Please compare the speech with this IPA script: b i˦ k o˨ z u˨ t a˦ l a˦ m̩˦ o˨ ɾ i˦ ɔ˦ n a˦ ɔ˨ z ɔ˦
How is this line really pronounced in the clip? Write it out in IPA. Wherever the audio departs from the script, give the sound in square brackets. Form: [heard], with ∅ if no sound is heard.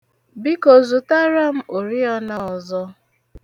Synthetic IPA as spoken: b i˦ k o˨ z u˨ t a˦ [ɾ] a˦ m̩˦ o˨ ɾ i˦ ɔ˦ n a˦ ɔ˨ z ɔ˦